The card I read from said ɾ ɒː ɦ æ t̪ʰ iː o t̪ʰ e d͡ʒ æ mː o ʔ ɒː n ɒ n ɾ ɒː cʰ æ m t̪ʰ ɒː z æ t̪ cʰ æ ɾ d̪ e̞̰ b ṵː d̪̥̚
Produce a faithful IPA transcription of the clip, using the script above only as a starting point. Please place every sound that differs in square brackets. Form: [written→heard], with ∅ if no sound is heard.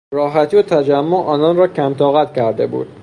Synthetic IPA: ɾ ɒː ɦ æ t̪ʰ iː o t̪ʰ [e→æ] d͡ʒ æ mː o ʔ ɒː n ɒ n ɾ ɒː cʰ æ m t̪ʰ ɒː [z→ɣ] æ t̪ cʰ æ ɾ d̪ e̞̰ b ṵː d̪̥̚